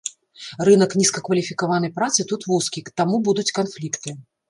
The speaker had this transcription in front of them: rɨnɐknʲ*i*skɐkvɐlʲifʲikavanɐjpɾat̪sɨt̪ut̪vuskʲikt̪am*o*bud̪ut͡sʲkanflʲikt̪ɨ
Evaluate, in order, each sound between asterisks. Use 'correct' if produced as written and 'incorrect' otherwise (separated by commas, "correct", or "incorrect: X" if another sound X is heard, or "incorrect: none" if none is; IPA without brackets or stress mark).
correct, incorrect: u